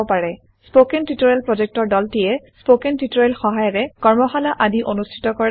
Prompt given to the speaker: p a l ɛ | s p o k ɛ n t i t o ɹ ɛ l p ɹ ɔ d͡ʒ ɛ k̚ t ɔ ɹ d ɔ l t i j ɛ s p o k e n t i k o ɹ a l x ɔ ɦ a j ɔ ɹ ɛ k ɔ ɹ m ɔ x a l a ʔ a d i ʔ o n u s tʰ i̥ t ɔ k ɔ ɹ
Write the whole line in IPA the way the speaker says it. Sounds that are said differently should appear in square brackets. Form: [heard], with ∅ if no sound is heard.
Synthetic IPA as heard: p a [ɹ] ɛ | s p o k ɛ n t i t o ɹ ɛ l p ɹ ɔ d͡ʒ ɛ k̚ t ɔ ɹ d ɔ l t i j ɛ s p o k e n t i [t] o ɹ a l x ɔ ɦ a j ɔ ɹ ɛ k ɔ ɹ m ɔ x a l a ʔ a d i ʔ o n u s tʰ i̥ t ɔ k ɔ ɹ